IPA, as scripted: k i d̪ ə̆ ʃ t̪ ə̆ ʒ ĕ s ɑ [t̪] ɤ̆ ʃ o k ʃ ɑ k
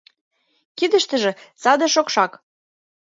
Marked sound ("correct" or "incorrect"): incorrect